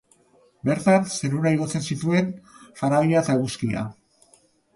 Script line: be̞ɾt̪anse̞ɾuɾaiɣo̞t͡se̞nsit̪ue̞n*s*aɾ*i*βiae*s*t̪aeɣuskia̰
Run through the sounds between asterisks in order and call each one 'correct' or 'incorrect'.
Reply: incorrect, incorrect, incorrect

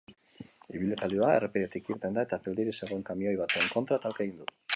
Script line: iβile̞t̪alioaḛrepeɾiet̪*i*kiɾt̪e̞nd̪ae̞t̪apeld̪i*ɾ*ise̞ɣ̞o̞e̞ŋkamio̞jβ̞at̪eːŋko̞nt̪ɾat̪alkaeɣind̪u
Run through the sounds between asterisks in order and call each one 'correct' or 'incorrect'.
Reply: correct, correct

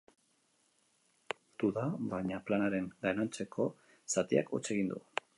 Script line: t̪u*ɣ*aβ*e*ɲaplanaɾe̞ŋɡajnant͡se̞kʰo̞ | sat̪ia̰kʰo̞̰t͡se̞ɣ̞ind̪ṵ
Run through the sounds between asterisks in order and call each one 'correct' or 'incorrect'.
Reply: incorrect, incorrect

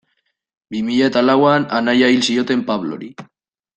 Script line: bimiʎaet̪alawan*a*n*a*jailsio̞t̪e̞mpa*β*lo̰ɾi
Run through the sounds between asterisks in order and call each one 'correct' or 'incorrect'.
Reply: correct, correct, correct

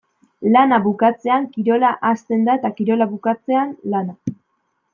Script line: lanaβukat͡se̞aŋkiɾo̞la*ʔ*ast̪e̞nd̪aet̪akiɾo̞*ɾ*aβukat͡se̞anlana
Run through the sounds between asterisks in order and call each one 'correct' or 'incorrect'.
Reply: correct, incorrect

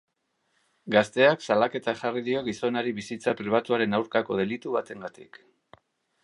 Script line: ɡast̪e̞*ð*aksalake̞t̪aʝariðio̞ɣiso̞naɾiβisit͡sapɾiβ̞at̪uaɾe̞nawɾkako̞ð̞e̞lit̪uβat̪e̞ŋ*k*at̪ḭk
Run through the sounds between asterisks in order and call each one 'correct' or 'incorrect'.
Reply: incorrect, incorrect

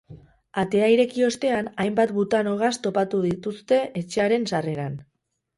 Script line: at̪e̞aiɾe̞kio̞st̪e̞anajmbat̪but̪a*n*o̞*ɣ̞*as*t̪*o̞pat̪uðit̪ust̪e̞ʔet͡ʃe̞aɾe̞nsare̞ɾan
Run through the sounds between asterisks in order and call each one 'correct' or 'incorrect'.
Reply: correct, correct, correct

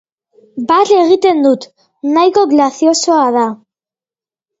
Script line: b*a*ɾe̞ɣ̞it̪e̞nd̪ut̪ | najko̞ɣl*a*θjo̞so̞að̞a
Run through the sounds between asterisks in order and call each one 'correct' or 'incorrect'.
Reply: correct, correct

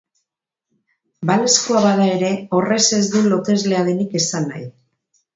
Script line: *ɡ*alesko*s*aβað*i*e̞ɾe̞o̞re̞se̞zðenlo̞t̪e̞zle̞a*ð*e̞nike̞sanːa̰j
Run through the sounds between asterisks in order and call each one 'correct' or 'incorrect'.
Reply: incorrect, incorrect, incorrect, correct

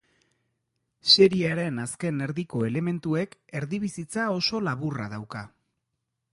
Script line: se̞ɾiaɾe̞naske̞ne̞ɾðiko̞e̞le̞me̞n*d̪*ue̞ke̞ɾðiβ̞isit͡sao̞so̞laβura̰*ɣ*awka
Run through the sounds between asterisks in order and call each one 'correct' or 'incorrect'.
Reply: incorrect, incorrect

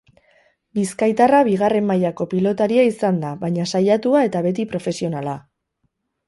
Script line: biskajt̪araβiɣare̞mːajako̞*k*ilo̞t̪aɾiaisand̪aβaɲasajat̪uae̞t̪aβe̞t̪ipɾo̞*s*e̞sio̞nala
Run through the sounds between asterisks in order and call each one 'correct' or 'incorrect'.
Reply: incorrect, incorrect

